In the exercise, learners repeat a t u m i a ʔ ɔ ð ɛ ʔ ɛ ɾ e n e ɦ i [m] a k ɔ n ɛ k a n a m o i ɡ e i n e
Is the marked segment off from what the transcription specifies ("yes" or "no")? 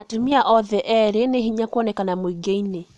yes